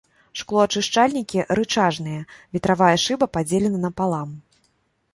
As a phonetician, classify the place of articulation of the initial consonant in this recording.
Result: retroflex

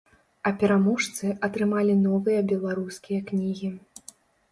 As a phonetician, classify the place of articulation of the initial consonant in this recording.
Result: labial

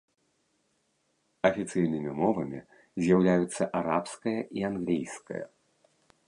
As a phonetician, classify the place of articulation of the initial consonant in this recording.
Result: labial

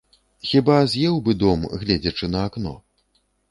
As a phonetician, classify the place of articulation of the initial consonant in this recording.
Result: velar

